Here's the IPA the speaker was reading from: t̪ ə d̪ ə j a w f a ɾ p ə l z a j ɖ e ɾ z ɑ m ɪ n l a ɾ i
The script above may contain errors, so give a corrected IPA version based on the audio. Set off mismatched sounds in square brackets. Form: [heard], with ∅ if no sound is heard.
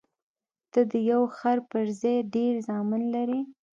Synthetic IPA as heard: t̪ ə d̪ ə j a w [x] a ɾ p ə [ɾ] z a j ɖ e ɾ z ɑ m ɪ n l a ɾ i